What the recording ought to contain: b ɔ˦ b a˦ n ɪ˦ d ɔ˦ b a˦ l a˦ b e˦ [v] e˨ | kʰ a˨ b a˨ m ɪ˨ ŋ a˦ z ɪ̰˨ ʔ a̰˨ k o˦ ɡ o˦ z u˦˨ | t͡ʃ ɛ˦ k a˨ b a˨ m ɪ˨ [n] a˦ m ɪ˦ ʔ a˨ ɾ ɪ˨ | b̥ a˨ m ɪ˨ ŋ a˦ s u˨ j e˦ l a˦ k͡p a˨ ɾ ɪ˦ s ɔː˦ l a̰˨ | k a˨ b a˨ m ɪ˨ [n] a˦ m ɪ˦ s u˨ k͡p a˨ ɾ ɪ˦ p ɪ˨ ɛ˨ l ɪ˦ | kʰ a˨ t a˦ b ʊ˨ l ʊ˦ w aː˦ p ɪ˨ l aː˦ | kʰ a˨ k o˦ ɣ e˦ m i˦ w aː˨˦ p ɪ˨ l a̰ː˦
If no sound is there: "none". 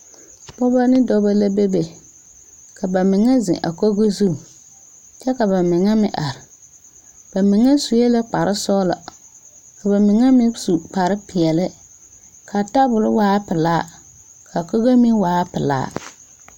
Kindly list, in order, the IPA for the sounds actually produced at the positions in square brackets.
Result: b, ŋ, ŋ

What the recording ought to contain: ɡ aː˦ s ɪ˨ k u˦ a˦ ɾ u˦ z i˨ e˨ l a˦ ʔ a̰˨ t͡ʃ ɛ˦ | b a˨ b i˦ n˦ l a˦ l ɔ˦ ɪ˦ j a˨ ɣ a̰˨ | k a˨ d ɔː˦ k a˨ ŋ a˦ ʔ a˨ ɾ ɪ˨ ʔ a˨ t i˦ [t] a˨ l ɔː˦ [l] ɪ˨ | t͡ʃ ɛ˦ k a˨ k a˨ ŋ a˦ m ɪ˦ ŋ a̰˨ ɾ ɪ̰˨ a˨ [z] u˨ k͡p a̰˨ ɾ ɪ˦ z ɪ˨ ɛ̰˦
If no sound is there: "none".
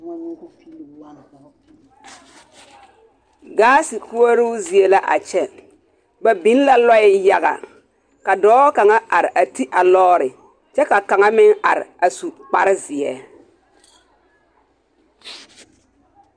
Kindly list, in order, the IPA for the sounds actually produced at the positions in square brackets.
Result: ʔ, ɾ, s

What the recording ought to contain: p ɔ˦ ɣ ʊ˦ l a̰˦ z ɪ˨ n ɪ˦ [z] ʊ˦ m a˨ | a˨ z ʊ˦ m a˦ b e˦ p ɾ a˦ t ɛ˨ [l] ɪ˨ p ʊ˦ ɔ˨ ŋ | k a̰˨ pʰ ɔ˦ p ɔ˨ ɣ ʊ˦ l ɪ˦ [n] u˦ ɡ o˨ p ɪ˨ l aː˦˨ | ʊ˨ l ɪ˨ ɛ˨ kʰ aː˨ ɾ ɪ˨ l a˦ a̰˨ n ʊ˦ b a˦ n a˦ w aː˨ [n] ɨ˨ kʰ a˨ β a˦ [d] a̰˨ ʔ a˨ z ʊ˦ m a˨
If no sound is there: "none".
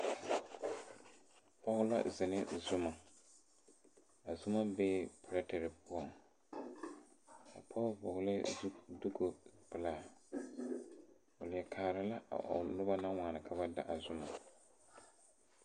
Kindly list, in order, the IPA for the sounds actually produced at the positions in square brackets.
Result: z, ɾ, d, n, d

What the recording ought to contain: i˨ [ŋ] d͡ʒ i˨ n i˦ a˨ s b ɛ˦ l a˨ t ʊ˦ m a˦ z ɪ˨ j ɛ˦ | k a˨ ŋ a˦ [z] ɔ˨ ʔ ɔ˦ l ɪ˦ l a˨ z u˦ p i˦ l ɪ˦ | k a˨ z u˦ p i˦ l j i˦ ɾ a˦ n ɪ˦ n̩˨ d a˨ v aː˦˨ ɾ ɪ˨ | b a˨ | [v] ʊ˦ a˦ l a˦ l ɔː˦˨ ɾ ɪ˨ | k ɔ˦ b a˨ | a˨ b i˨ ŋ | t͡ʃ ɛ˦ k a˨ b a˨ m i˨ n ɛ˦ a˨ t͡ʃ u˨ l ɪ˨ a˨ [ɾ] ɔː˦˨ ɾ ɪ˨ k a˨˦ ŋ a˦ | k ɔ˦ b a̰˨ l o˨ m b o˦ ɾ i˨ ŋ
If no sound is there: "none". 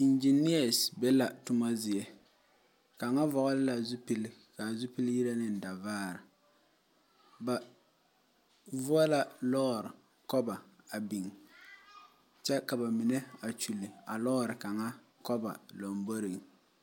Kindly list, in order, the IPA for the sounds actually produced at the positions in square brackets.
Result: n, v, v, l

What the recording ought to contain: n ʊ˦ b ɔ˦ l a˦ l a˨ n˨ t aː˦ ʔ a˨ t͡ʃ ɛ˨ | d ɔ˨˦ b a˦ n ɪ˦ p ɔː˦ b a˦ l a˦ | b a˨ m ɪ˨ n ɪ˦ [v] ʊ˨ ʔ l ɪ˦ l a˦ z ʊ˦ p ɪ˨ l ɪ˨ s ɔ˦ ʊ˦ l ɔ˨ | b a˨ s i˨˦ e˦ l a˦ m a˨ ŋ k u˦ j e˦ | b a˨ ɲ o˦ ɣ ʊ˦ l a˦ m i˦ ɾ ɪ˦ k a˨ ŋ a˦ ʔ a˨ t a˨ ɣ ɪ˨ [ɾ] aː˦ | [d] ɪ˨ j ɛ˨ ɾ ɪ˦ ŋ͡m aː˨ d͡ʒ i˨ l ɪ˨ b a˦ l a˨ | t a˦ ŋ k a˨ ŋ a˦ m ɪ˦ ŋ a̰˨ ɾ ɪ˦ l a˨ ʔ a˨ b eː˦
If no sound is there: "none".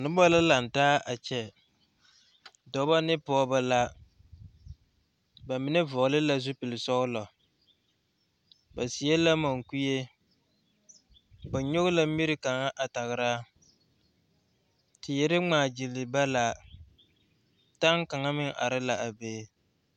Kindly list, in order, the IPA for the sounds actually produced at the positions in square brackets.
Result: v, ɾ, t

